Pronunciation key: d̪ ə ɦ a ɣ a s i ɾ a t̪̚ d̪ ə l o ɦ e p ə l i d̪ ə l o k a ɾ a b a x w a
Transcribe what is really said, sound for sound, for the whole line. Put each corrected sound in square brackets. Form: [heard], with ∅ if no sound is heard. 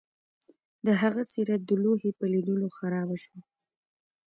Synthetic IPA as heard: d̪ ə ɦ a ɣ a s i ɾ a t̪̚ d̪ ə l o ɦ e p ə l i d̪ ə l o [x] a ɾ [ɑ] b a [ʃ] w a